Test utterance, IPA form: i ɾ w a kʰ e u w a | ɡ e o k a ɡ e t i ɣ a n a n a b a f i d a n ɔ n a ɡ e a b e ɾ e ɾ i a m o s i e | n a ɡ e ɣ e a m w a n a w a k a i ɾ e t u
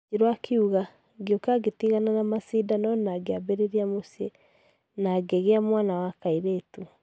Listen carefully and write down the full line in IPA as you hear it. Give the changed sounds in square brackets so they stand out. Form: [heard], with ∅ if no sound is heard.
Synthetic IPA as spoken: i ɾ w a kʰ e u [ɣ] a | ɡ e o k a ɡ e t i ɣ a n a n a [m] a [s] i d a n ɔ n a ɡ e a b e ɾ e ɾ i a m o s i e | n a ɡ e ɣ e a m w a n a w a k a i ɾ e t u